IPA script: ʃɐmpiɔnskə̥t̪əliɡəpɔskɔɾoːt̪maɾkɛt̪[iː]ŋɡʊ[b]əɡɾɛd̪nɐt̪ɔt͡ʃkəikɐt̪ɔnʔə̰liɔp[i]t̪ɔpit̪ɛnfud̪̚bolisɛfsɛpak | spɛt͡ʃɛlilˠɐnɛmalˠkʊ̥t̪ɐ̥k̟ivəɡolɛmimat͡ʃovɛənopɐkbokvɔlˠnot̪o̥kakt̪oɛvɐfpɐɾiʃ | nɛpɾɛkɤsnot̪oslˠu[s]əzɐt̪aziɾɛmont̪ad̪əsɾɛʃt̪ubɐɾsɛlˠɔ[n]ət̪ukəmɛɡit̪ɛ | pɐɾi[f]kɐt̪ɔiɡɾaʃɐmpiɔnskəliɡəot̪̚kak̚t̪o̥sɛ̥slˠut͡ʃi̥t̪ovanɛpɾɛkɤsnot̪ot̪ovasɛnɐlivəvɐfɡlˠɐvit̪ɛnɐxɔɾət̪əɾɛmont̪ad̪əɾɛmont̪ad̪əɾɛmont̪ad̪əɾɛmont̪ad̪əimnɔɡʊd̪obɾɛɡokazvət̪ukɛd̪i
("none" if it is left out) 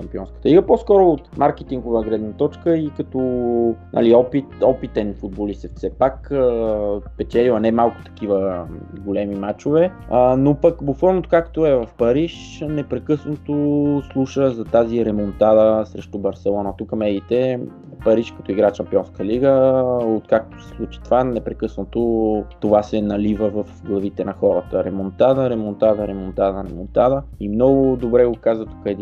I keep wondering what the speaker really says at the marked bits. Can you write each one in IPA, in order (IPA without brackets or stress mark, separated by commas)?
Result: i, v, i, ʃ, n, ʃ